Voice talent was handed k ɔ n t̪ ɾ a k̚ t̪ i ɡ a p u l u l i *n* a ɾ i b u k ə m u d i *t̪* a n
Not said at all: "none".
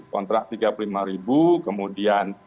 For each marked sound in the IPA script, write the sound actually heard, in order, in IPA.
m, none

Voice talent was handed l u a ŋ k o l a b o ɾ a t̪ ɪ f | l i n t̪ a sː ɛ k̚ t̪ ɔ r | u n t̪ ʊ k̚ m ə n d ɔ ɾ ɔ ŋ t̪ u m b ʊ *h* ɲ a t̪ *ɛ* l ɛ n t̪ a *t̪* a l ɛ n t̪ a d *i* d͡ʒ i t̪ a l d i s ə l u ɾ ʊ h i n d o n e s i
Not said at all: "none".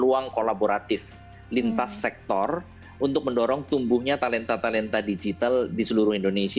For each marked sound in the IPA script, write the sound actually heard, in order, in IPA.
h, a, t̪, i

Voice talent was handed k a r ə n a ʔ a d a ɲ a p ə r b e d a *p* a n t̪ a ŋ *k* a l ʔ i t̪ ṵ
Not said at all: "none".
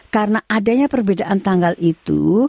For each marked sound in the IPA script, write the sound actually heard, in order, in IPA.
ʔ, ɡ

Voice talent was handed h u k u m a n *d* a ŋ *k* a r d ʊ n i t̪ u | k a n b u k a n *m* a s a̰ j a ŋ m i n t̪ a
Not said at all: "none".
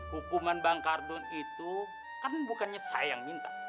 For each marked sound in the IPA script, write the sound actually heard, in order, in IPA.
b, k, ɲ

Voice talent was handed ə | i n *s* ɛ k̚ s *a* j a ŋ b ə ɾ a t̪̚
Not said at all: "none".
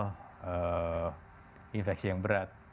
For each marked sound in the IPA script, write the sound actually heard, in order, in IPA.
f, i

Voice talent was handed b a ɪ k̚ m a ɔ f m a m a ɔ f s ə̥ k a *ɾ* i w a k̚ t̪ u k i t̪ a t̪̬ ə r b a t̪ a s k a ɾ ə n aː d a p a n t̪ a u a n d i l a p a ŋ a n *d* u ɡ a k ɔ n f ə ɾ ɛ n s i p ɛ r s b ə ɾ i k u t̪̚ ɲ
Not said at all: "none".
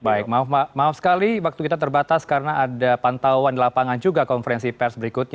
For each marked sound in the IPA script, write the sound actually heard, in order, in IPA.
l, d͡ʒ

